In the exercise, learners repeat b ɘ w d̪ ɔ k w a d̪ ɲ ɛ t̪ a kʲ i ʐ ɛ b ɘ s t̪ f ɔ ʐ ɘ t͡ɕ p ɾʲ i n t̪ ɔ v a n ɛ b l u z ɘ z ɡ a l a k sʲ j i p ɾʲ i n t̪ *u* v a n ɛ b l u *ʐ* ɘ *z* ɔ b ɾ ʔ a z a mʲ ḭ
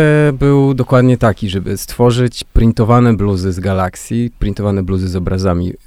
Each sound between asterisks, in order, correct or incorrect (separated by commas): incorrect, incorrect, correct